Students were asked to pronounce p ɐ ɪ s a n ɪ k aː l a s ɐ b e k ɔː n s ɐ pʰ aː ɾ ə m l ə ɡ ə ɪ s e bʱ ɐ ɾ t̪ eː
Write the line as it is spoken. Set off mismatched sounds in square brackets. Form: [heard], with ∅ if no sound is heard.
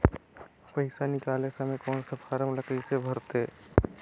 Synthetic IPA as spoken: p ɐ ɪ s a n ɪ k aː l [e] s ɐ [m] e k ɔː n s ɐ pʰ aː ɾ ə m l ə [k] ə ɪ s e bʱ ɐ ɾ t̪ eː

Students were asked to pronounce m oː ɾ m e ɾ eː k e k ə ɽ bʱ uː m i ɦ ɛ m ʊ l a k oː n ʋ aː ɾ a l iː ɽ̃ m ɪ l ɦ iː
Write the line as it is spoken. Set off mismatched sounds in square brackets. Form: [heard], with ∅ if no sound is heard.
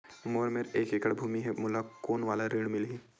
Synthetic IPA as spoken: m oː ɾ m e ɾ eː k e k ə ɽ bʱ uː m i ɦ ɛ m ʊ l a k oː n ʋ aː [l] a [ɾ] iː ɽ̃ m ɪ l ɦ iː

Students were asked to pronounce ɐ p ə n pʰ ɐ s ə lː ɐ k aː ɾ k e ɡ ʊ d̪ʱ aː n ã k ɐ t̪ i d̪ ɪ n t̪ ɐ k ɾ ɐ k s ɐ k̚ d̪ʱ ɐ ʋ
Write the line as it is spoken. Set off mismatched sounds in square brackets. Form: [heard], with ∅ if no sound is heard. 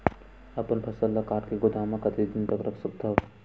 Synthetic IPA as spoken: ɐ p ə n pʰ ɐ s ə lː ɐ k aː ɾ k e ɡ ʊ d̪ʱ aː [m] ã k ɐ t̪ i d̪ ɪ n t̪ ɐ k ɾ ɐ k s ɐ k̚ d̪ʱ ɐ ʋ

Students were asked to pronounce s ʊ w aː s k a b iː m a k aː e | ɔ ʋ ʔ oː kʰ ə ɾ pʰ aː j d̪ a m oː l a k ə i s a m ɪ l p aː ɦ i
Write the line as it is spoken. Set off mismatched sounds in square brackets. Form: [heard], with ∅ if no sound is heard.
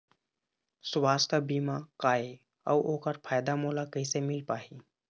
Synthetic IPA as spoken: s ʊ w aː s k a b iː m a k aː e | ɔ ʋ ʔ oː [k] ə ɾ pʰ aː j d̪ a m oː l a k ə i s [e] m ɪ l p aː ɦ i

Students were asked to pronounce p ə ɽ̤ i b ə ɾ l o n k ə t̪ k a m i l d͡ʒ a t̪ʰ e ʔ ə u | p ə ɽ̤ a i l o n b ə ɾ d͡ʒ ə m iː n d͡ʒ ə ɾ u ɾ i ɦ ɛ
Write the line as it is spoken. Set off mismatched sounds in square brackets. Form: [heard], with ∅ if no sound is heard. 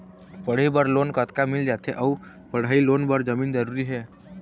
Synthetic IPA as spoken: p ə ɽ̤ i b ə ɾ l o n k ə t̪ k a m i l d͡ʒ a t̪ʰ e ʔ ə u | p ə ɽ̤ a i l o n b ə ɾ d͡ʒ ə m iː n d͡ʒ ə ɾ u ɾ i ɦ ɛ

